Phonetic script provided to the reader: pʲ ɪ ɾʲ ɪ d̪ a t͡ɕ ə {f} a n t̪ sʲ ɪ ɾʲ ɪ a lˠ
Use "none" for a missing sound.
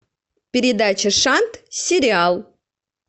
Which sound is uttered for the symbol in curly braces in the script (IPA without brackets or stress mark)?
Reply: ʂ